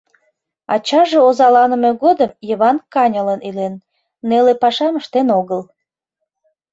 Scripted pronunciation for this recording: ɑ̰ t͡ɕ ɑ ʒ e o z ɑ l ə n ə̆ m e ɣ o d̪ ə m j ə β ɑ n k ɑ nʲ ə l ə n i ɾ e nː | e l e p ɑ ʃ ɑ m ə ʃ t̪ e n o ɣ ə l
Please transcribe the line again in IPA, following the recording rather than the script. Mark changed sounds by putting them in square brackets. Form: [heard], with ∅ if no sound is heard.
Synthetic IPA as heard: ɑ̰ t͡ɕ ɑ ʒ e o z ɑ l [ɑ] n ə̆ m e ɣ o d̪ ə m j ə β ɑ n k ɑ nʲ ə l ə n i [l] e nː | e l e p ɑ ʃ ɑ m ə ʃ t̪ e n o ɣ ə l

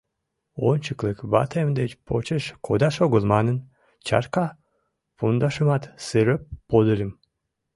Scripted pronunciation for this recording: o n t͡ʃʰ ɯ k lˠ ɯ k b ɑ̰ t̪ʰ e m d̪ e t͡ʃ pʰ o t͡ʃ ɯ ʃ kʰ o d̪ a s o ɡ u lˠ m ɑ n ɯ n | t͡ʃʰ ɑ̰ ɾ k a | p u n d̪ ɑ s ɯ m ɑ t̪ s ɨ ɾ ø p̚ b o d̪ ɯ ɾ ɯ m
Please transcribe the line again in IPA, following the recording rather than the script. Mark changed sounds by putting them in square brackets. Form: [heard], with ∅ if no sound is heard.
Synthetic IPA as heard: o n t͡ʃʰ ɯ k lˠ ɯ k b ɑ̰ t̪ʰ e m d̪ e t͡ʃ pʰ o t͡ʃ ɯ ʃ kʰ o d̪ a [ʃ] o ɡ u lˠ m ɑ n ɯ n | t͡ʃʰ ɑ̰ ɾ k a | p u n d̪ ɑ [ʃ] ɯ m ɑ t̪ s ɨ ɾ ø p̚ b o d̪ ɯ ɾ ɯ m

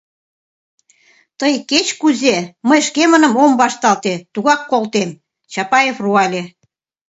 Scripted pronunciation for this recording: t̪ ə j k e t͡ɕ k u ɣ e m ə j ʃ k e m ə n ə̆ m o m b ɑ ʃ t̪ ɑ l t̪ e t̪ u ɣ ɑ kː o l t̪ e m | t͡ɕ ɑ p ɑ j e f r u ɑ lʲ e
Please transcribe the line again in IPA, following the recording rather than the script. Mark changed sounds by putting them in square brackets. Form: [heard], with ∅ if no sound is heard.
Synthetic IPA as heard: t̪ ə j k e t͡ɕ k u [z] e m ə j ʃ k e m ə n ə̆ m o m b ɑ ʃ t̪ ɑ l t̪ e t̪ u ɣ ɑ kː o l t̪ e m | t͡ɕ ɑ p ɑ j e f r u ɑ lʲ e

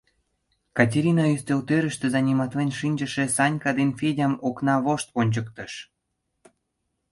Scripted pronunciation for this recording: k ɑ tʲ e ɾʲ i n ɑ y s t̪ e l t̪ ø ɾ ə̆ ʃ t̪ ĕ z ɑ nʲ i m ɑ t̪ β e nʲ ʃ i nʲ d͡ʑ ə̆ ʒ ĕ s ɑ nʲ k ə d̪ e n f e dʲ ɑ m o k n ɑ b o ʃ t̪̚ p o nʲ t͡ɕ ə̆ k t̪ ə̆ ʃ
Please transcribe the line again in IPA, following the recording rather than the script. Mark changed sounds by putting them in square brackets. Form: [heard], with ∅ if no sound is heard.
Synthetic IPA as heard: k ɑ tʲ e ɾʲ i n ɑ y s t̪ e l t̪ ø ɾ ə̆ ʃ t̪ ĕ z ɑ nʲ i m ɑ t̪ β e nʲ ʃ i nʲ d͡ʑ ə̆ [ʃ] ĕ s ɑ nʲ k [ɑ] d̪ e n f e dʲ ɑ m o k n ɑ [β] o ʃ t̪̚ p o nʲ t͡ɕ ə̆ k t̪ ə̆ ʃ

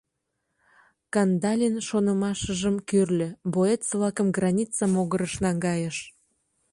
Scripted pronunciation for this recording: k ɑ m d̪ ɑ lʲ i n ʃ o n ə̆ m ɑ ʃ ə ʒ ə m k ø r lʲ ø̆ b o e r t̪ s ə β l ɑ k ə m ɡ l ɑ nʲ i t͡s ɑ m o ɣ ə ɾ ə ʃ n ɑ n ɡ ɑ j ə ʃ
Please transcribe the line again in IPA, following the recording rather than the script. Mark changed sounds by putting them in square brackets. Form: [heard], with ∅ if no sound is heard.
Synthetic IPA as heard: k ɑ [n] d̪ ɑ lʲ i n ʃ o n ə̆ m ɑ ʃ ə ʒ ə m k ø r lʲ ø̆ b o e [∅] t̪ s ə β l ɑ k ə m ɡ [r] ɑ nʲ i t͡s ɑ m o ɣ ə ɾ ə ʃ n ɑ [ŋ] ɡ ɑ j ə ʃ

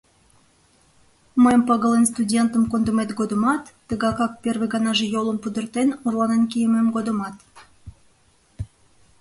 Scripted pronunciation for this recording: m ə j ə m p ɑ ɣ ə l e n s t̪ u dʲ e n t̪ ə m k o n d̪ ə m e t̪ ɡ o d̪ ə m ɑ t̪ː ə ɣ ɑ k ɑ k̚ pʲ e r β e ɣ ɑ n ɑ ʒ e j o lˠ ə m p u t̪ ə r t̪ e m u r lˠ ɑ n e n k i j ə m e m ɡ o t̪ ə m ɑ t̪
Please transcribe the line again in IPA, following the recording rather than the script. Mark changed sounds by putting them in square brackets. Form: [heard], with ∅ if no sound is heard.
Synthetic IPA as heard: m ə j ə m p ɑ ɣ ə l e n s t̪ u dʲ e n t̪ ə m k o n d̪ ə m e t̪ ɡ o d̪ ə m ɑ t̪ː ə ɣ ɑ k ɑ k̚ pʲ e r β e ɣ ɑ n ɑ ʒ e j o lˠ ə m p u [d̪] ə r t̪ e [n] u r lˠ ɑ n e n k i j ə m e m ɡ o [d̪] ə m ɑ t̪

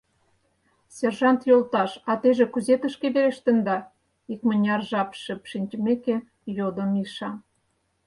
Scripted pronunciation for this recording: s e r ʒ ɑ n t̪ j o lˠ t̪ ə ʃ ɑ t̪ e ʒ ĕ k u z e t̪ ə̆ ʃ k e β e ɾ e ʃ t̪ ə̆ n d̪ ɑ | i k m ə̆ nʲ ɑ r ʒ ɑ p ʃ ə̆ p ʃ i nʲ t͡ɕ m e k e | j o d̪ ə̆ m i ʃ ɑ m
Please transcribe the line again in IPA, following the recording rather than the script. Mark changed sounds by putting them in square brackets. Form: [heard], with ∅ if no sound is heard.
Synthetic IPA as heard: s e r ʒ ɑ n t̪ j o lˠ t̪ [ɑ] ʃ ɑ t̪ e ʒ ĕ k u z e t̪ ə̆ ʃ k e β e ɾ e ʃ t̪ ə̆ n d̪ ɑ | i k m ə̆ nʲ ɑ r ʒ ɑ p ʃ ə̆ p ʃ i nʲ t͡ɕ m e k e | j o d̪ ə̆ m i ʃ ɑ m

